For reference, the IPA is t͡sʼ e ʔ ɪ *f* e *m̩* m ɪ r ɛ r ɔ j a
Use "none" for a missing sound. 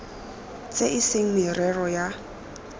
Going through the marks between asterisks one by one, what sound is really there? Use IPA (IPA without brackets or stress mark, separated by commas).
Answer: s, ŋ̩